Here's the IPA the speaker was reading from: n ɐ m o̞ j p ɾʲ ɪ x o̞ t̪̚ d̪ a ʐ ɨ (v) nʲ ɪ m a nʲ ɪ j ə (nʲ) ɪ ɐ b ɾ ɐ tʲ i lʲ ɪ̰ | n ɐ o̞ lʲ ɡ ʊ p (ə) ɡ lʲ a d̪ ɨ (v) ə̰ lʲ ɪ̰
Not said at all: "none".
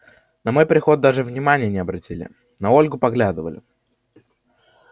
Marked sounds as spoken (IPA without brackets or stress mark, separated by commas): v, nʲ, ɐ, v